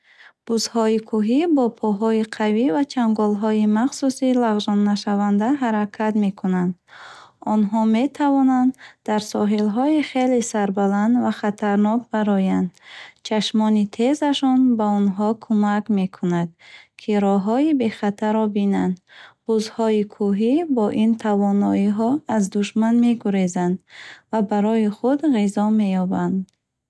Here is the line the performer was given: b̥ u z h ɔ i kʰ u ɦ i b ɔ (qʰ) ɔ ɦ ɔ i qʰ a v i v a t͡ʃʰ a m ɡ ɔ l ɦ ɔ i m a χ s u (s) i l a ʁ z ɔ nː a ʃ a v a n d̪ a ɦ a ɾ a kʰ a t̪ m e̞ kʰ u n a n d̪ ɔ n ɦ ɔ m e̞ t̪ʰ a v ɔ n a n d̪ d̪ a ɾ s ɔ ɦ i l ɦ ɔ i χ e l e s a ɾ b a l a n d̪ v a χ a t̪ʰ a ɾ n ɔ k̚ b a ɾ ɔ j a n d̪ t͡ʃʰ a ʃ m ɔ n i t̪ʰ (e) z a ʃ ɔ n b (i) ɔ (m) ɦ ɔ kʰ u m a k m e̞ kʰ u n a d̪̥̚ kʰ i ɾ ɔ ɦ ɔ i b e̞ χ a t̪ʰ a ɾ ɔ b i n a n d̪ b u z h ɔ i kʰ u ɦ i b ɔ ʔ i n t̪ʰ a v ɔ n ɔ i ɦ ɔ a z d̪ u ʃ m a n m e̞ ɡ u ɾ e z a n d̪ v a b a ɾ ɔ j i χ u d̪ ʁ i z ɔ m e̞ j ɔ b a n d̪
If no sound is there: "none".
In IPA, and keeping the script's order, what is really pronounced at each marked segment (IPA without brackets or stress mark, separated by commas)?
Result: pʰ, s, e, a, n